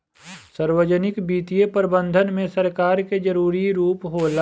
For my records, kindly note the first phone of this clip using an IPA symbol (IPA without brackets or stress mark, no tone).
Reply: s